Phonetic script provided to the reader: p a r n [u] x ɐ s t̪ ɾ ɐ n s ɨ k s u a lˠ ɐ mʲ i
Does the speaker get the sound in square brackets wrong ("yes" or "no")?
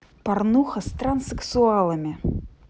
no